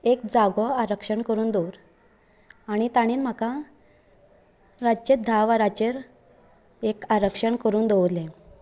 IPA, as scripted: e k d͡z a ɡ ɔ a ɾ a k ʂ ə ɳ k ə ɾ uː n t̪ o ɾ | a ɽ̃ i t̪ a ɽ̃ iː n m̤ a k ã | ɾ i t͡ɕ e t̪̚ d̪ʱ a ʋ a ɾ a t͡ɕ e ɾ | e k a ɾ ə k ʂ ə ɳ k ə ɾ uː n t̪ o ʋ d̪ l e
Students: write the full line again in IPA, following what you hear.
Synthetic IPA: e k d͡z a ɡ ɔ a ɾ ə k ʂ ə ɳ k ə ɾ uː n d̪ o ɾ | a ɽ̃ i t̪ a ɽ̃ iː n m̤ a k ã | ɾ a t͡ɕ e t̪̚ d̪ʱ a ʋ a ɾ a t͡ɕ e ɾ | e k a ɾ ə k ʂ ə ɳ k ə ɾ uː n d̪ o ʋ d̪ l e